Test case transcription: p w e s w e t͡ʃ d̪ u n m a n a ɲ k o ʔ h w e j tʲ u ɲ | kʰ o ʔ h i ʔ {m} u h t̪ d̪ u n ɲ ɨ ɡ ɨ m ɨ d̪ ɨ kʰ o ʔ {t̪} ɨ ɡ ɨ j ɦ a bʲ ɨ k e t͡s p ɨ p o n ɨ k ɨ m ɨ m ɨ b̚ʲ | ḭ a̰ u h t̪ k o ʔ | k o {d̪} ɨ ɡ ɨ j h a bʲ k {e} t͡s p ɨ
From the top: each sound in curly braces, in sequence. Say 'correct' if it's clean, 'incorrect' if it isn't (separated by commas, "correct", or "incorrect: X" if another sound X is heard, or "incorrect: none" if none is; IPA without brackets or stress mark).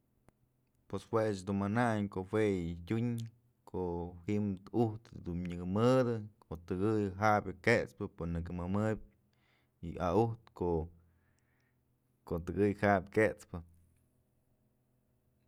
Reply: correct, correct, incorrect: t̪, correct